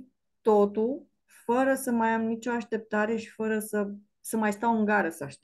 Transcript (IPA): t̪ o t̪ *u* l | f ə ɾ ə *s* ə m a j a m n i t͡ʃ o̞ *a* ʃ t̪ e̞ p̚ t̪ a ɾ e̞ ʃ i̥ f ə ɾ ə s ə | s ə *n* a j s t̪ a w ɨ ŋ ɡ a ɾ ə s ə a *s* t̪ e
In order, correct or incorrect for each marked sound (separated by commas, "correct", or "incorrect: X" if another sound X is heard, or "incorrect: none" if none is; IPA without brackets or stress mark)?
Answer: correct, correct, correct, incorrect: m, incorrect: ʃ